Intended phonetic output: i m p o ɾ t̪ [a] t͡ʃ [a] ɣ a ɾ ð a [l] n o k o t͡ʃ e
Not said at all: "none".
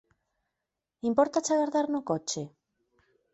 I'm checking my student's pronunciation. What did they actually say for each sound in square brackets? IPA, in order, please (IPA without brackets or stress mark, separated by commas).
a, a, ɾ